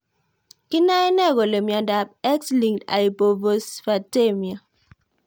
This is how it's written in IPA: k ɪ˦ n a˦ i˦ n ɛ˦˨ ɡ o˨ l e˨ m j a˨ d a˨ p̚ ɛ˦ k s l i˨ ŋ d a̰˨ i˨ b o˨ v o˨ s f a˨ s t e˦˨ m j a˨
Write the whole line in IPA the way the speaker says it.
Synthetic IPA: k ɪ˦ n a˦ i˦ n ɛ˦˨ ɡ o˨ l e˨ m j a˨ d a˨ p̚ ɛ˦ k s l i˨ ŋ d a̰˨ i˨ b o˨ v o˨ s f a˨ t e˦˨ m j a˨